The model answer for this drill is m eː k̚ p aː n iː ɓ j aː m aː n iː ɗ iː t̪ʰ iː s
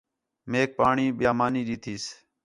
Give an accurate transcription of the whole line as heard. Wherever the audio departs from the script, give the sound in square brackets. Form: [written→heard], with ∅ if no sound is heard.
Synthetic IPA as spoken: m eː k̚ p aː [n→ɳ] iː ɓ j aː m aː n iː ɗ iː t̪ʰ iː s